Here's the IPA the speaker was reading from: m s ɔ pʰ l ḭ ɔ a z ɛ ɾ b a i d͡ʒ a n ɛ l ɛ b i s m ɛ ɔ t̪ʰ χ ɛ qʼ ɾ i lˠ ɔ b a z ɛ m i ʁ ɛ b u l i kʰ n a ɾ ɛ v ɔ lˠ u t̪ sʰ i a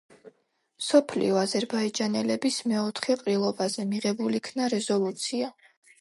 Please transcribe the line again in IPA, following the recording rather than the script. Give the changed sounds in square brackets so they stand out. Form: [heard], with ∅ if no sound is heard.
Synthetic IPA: m s ɔ pʰ l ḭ ɔ a z ɛ ɾ b a i d͡ʒ a n ɛ l ɛ b i s m ɛ ɔ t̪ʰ χ ɛ qʼ ɾ i lˠ ɔ b a z ɛ m i ʁ ɛ b u l i kʰ n a ɾ ɛ [z] ɔ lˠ u t̪ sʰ i a